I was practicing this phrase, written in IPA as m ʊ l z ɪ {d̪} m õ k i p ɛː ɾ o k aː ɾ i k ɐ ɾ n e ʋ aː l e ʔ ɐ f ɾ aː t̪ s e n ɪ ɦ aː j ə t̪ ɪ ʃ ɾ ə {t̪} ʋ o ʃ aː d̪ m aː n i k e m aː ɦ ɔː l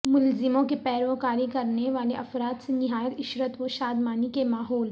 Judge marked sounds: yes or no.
no, yes

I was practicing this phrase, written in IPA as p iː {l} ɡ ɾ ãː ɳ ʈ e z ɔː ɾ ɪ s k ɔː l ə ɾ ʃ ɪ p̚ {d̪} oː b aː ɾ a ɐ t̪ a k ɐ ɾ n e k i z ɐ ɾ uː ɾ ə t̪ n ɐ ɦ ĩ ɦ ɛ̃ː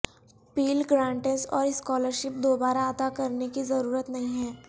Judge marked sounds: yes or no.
yes, yes

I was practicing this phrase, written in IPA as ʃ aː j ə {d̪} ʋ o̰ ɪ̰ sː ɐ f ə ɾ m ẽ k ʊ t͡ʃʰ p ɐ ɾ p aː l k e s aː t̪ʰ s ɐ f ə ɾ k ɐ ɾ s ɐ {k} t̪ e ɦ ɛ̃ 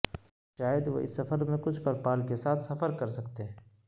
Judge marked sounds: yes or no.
yes, yes

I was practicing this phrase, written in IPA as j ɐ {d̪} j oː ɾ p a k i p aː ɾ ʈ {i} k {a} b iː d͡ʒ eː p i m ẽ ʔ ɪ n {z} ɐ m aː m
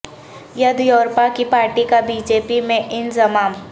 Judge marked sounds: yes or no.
yes, yes, yes, yes

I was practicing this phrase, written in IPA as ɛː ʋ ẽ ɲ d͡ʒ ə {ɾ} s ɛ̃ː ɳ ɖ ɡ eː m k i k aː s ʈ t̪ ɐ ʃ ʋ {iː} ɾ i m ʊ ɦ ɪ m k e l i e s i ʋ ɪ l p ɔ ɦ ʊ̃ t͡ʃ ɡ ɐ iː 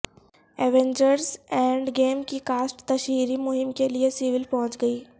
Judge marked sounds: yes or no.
yes, yes

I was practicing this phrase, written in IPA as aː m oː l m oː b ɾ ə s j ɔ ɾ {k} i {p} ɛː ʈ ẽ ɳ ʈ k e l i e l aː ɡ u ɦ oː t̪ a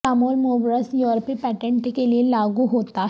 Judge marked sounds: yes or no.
no, yes

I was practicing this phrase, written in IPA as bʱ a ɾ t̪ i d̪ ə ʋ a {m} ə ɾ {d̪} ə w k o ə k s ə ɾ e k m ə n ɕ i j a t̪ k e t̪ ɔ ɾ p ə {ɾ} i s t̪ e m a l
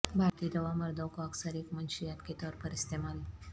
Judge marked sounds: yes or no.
yes, yes, yes

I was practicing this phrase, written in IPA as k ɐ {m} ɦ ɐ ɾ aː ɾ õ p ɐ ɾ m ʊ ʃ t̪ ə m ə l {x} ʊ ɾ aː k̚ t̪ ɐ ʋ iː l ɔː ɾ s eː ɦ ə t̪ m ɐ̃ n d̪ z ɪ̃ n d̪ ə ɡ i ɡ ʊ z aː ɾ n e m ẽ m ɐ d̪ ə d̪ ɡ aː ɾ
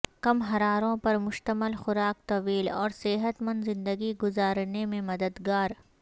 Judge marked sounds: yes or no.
yes, yes

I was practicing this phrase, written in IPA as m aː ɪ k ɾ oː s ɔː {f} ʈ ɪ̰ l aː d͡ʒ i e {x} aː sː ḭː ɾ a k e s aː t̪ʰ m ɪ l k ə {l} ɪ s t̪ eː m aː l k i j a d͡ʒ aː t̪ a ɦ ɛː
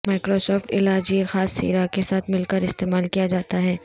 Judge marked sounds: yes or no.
yes, yes, no

